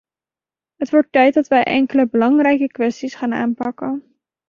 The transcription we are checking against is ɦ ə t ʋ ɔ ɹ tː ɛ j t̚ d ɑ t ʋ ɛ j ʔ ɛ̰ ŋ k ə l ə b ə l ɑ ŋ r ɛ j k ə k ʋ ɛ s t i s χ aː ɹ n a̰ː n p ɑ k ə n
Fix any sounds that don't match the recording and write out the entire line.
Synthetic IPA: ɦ ə t ʋ ɔ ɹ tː ɛ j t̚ d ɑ t ʋ ɛ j ʔ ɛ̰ ŋ k ə l ə b ə l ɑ ŋ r ɛ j k ə k ʋ ɛ s t i s χ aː n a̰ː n p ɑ k ə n